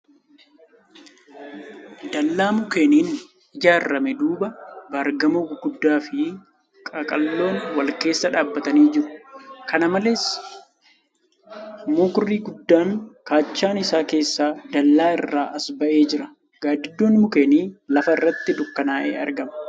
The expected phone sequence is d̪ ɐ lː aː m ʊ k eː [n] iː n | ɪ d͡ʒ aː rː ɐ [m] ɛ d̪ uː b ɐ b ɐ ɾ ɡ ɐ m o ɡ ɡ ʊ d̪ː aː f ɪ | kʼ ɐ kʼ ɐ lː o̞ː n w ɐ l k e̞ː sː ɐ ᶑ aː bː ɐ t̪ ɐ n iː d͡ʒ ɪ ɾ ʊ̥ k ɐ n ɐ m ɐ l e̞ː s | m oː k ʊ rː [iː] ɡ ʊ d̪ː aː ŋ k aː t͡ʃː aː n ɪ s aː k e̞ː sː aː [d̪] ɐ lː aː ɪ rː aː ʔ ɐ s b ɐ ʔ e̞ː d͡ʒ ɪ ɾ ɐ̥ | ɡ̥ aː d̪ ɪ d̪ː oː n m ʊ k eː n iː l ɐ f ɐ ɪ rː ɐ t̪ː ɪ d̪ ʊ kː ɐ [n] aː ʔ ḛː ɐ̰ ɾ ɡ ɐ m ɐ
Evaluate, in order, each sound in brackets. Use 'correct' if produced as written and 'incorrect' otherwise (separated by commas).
correct, correct, correct, correct, correct